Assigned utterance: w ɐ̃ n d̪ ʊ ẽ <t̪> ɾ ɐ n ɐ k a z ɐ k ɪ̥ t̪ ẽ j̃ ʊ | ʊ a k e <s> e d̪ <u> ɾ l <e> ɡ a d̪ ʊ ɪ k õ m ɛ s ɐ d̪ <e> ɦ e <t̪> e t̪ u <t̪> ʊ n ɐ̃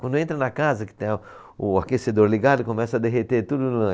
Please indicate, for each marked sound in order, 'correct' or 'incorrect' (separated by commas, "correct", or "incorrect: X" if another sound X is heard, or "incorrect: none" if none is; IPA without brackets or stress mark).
correct, correct, incorrect: o, incorrect: i, correct, correct, incorrect: d̪